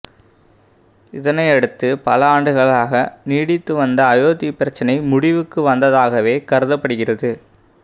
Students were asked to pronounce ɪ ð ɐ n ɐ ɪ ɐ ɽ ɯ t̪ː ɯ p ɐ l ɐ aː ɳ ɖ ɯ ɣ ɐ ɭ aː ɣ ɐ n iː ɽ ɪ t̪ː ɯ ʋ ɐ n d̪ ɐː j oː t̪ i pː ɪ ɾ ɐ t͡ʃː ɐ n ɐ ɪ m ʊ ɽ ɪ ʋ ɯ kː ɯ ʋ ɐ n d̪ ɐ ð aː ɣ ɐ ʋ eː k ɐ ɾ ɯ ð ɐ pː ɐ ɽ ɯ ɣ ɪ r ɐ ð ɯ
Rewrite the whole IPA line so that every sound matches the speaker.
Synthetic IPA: ɪ ð ɐ n ɐ ɪ ɐ ɽ ɯ t̪ː ɯ p ɐ l ɐ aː ɳ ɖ ɯ ɣ ɐ ɭ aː ɣ ɐ n iː ɽ ɪ t̪ː ɯ ʋ ɐ n d̪ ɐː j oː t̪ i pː ɪ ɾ ɐ t͡ʃː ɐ n ɐ ɪ m ʊ ɽ ɪ ʋ ɯ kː ɯ ʋ ɐ n d̪ ɐ ð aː ɣ ɐ ʋ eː k ɐ ɾ ɯ ð ɐ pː ɐ ɽ ɯ ɣ ɪ r ɐ ð ɯ